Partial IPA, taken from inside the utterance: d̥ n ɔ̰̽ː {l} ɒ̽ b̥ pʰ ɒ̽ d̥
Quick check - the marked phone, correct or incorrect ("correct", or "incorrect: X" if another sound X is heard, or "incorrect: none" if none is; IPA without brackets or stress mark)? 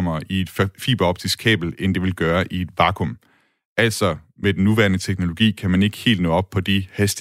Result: incorrect: none